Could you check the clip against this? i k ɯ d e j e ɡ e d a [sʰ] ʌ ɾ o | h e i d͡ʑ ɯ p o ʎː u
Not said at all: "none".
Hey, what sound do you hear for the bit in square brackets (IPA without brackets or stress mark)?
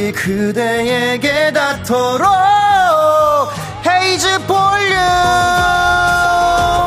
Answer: tʰ